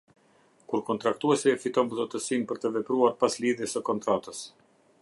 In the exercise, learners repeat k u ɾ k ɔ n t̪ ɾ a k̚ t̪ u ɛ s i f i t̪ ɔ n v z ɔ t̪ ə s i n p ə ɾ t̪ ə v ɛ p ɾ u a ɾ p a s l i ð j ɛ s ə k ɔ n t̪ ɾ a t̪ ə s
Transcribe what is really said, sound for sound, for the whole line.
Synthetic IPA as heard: k u ɾ k ɔ n t̪ ɾ a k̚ t̪ u ɛ s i f i t̪ ɔ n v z ɔ t̪ ə s i n p ə ɾ t̪ ə v ɛ p ɾ u a ɾ p a s l i ð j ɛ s ə k ɔ n t̪ ɾ a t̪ ə s